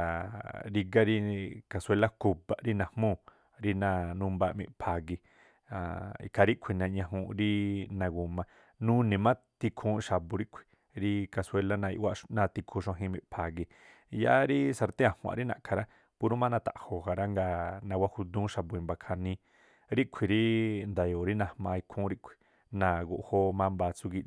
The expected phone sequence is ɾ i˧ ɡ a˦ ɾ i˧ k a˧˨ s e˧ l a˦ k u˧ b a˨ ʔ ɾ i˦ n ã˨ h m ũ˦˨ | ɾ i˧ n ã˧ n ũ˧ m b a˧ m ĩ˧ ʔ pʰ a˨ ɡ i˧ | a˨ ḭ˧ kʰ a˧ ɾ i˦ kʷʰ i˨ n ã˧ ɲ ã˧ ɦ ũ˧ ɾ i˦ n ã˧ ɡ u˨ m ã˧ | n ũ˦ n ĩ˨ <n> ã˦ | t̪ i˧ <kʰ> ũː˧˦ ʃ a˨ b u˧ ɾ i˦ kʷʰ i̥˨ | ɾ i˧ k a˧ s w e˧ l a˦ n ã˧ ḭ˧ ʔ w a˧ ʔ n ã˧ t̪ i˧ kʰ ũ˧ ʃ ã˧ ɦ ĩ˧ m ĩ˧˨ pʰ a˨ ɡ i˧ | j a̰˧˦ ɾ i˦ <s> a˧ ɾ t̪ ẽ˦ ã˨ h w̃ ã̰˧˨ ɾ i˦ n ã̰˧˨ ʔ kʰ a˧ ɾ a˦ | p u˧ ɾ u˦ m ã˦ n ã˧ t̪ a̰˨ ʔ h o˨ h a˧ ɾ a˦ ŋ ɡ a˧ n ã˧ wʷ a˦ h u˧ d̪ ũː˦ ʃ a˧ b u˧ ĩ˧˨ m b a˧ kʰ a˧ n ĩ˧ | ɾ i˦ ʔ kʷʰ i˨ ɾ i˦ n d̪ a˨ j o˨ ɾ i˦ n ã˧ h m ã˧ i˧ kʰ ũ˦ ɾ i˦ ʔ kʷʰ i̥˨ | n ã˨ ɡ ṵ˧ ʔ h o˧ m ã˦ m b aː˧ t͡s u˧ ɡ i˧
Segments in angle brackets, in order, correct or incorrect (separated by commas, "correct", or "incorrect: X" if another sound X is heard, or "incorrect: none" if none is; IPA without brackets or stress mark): incorrect: m, correct, correct